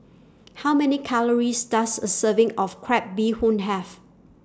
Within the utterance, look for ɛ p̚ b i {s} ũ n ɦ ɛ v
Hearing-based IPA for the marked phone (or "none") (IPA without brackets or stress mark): h